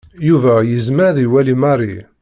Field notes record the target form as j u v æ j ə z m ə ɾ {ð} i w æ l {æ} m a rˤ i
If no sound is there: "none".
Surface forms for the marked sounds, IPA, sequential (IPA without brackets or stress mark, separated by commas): ð, i